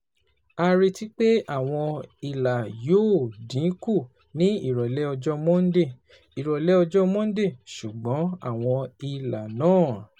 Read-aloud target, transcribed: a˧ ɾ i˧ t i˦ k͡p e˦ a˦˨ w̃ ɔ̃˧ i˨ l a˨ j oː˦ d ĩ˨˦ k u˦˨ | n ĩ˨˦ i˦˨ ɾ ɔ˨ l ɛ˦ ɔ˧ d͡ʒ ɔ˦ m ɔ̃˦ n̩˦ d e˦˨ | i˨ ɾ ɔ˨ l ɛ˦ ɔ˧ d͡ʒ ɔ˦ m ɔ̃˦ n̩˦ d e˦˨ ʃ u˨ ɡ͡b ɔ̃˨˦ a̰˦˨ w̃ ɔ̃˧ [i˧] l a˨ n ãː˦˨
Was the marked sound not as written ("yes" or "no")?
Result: no